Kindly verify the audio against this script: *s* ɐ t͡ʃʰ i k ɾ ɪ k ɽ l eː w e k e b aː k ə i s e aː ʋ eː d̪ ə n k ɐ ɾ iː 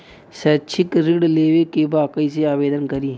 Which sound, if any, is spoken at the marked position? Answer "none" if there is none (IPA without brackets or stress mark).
s